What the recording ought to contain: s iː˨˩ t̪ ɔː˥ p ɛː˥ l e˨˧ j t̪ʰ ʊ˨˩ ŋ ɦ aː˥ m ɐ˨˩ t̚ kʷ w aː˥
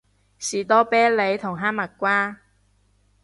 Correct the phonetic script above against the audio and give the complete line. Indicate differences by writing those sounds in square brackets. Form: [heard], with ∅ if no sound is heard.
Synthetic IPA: s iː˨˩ t̪ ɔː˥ p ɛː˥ l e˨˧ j t̪ʰ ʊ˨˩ ŋ ɦ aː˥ m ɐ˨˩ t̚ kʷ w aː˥